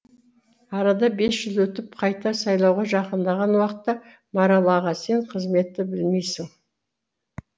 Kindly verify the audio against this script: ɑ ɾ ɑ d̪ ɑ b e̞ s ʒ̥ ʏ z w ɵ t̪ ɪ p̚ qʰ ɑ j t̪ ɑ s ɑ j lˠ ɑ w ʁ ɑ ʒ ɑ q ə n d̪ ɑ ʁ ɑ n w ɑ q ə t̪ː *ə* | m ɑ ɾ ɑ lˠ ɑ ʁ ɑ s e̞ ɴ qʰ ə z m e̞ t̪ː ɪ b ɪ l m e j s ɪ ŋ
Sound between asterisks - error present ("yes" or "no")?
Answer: yes